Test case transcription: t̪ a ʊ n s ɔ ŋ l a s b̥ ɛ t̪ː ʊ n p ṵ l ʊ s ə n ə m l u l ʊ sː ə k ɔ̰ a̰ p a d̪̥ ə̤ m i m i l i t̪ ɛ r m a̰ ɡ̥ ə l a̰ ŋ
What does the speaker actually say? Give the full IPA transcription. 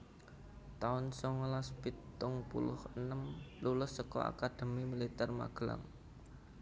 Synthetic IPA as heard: t̪ a ʊ n s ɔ ŋ l a s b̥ i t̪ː ʊ ŋ p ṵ l ʊ h ə n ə m l u l ʊ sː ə k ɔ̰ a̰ k a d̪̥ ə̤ m i m i l i t̪ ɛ r m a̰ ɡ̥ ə l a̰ ŋ